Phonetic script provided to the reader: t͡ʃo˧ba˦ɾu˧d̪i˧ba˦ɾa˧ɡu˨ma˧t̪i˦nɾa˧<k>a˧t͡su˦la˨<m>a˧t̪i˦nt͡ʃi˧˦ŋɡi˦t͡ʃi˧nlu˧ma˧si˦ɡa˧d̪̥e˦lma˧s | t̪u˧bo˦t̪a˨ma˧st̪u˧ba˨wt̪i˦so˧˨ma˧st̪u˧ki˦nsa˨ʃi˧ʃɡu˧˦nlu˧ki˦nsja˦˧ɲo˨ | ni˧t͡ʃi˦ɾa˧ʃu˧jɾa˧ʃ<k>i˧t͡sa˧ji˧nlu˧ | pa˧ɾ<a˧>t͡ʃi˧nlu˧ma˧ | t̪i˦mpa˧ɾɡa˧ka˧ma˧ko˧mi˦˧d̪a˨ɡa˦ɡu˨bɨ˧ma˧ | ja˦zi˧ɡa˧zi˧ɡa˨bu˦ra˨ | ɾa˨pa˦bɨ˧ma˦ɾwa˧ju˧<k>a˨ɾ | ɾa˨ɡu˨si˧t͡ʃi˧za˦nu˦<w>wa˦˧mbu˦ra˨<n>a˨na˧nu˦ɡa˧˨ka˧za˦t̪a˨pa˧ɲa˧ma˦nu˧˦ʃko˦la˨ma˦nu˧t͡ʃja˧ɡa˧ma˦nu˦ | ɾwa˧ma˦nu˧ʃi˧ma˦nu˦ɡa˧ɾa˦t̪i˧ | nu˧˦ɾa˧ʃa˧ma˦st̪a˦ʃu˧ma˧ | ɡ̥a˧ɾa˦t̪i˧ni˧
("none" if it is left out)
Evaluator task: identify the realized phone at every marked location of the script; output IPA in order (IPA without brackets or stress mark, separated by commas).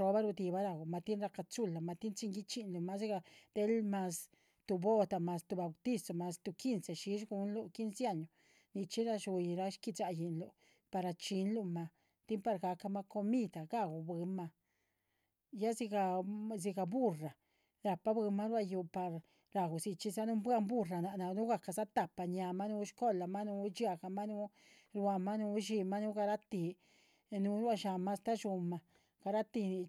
k, m, k, a˧, p, b, n